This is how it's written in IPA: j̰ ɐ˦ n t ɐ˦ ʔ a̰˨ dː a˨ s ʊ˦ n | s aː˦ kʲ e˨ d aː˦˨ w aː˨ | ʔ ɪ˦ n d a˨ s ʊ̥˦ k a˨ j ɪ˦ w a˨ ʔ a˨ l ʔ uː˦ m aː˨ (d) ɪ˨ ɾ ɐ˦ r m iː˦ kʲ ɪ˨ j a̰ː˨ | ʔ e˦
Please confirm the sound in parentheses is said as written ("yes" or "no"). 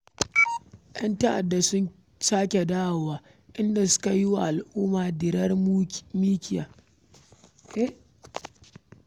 yes